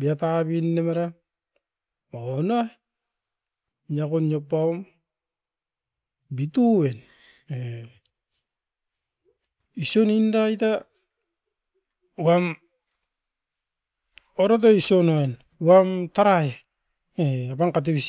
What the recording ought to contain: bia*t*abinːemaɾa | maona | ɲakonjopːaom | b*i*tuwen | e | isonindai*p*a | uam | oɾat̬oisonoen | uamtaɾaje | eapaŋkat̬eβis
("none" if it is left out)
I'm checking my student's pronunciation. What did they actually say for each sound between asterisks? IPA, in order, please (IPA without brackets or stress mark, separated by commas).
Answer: t, i, t